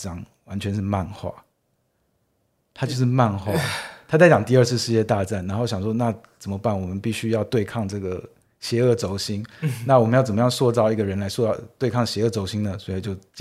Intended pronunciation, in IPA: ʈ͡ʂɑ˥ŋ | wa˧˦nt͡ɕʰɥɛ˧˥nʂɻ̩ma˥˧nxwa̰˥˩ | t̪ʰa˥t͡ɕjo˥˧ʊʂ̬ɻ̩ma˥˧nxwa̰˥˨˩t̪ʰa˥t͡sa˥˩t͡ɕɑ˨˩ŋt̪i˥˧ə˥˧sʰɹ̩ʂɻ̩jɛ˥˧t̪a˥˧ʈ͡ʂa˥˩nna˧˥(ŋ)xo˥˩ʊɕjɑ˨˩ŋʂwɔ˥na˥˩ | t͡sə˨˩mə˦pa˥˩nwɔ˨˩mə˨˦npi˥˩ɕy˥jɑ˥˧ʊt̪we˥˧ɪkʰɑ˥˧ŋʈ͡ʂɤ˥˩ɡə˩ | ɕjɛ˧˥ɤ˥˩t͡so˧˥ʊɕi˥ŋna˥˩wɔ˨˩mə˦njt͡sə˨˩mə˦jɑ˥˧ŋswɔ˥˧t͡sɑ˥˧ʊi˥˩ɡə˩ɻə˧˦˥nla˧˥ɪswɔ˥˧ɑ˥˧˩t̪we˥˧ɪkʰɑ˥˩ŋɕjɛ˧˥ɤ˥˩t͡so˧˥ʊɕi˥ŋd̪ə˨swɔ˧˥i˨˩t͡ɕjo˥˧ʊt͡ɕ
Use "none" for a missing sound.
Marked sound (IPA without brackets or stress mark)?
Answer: n